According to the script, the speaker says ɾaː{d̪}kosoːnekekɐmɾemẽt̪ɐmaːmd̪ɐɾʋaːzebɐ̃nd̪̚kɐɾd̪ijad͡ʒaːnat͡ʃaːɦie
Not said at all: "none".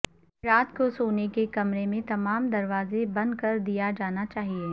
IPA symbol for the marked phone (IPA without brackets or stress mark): t̪